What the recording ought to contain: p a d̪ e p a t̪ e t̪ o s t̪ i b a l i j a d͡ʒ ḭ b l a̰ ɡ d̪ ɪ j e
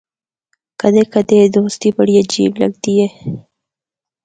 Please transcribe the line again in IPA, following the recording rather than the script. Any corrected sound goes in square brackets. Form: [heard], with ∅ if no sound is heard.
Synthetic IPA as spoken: [k] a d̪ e [k] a [d̪] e [d̪] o s t̪ i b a [ɽ] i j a d͡ʒ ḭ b l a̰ ɡ d̪ [i] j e